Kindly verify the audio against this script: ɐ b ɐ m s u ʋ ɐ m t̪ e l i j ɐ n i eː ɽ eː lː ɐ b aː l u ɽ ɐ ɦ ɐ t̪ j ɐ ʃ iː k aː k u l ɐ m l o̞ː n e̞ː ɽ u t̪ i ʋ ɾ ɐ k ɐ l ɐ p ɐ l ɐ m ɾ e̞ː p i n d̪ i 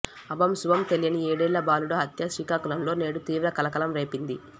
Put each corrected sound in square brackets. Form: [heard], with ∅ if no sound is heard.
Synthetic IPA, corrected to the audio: ɐ b ɐ m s u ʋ ɐ m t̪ e l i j ɐ n i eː ɽ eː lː ɐ b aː l u ɽ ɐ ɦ ɐ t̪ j ɐ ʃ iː k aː k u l ɐ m l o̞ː n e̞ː ɽ u t̪ [iː] ʋ ɾ ɐ k ɐ l ɐ [k] ɐ l ɐ m ɾ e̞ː p i n d̪ i